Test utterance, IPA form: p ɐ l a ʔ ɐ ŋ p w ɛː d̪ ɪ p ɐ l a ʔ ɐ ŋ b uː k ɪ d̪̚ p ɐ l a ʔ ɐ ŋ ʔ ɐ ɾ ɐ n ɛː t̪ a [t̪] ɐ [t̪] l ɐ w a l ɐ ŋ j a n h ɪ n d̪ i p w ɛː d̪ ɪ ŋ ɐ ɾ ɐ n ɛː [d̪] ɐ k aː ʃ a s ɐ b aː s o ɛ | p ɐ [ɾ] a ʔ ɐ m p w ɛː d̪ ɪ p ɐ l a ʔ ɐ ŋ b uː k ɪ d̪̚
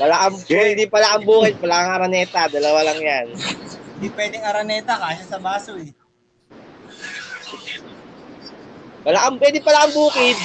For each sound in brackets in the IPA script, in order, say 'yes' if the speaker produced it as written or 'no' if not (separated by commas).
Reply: no, no, no, no